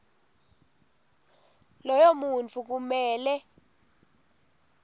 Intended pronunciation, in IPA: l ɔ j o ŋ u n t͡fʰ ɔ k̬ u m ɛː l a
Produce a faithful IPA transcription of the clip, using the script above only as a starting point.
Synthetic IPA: l ɔ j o m u n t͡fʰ u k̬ u m ɛː l ɛ

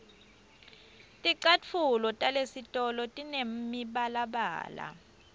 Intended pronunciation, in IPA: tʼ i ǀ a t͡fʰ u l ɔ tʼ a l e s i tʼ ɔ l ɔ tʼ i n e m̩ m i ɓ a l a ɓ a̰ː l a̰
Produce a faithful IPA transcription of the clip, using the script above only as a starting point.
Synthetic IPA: tʼ i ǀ a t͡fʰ u l ɔ tʼ a l e s i tʼ ɔ l ɔ tʼ i n e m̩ m i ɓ a l a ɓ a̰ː l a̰

